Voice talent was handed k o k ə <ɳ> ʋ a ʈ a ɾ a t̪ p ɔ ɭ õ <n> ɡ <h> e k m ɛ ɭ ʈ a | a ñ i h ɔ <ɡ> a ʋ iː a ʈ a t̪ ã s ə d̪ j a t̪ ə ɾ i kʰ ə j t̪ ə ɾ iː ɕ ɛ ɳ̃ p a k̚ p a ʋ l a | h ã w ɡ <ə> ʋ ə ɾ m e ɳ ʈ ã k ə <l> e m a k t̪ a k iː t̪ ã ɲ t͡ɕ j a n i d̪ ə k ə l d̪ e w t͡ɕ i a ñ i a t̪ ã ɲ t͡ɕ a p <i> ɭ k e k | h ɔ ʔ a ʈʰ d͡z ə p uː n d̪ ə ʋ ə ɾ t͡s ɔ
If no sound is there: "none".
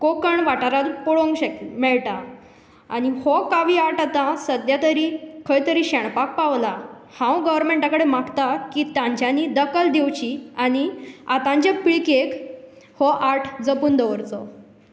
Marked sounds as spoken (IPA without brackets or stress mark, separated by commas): ɳ, ŋ, ɕ, k, ə, ɽ, i